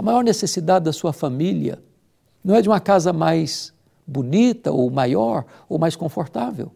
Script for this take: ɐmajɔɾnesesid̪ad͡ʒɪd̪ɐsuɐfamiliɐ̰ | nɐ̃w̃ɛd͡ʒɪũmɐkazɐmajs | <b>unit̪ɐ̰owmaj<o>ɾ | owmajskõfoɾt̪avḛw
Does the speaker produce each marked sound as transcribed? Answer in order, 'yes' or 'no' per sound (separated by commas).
yes, no